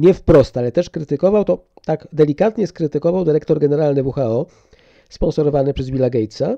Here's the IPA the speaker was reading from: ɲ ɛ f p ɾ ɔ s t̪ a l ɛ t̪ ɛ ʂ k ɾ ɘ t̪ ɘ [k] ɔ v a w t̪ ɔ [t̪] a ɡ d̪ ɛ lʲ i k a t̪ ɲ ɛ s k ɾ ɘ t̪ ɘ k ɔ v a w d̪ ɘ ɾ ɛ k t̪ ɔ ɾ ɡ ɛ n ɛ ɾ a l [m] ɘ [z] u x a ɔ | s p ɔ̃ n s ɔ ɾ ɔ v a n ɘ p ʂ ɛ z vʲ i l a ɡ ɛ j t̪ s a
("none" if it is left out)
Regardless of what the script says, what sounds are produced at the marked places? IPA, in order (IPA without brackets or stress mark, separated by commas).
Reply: k, t̪, n, v